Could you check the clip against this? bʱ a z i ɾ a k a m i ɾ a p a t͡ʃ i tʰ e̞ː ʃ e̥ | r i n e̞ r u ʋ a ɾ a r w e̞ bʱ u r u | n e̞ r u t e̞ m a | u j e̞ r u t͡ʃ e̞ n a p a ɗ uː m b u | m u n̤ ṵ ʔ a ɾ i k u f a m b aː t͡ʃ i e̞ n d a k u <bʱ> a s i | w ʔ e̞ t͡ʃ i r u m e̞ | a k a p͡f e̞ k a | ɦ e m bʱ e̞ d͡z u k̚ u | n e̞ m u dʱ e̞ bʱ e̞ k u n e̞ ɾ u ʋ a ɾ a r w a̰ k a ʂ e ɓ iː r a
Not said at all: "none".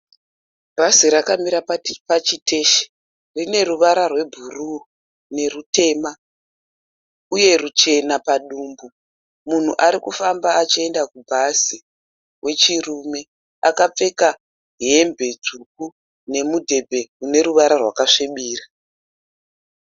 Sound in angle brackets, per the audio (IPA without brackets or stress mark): bʱ